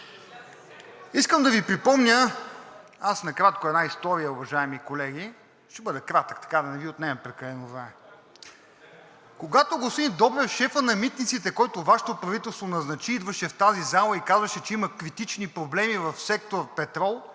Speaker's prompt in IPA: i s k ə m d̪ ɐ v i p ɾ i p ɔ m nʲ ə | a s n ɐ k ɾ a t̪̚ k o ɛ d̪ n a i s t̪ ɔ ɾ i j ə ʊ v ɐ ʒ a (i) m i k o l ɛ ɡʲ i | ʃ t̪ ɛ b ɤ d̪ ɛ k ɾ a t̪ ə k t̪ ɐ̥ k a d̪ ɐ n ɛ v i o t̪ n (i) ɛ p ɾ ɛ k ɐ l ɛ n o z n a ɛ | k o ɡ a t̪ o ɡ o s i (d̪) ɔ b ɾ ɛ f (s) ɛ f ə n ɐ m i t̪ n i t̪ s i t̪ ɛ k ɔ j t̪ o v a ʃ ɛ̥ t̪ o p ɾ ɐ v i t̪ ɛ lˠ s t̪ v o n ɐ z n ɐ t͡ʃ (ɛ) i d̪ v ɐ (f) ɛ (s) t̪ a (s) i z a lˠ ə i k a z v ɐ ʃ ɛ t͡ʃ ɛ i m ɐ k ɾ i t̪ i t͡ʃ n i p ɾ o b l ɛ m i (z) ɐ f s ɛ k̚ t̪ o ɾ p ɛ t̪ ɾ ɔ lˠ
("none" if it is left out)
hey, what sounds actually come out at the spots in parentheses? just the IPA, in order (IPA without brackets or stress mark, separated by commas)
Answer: ɛ, ɛ, d̪, ʃ, i, ʃ, f, z, v